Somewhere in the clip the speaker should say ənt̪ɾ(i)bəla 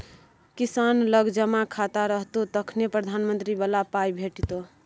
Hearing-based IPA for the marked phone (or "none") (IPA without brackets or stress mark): i